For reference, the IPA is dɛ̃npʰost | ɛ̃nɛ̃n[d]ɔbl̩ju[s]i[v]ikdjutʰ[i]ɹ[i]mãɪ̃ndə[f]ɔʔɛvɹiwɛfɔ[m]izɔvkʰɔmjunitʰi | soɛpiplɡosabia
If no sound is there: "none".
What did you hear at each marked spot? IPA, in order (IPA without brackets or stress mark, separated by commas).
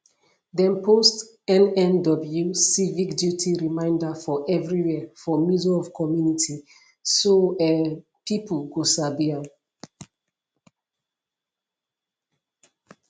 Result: d, s, v, i, i, f, m